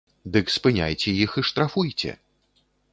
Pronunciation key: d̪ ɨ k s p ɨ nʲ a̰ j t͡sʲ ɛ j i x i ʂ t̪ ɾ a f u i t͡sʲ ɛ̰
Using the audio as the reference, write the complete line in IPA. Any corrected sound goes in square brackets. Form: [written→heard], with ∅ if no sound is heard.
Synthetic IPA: d̪ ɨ k s p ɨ nʲ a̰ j t͡sʲ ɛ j i x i ʂ t̪ ɾ a f u [i→j] t͡sʲ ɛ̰